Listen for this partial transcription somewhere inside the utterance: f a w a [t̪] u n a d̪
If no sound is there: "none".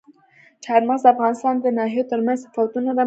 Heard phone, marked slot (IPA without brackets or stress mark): t̪